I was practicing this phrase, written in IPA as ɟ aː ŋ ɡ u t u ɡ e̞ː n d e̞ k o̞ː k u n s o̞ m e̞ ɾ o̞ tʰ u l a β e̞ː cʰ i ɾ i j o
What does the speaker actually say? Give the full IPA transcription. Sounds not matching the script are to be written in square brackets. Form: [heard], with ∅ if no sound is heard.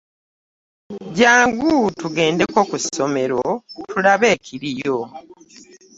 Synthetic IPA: ɟ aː ŋ ɡ u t u ɡ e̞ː n d e̞ k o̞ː k u [∅] s o̞ m e̞ ɾ o̞ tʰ u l a β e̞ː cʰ i ɾ i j o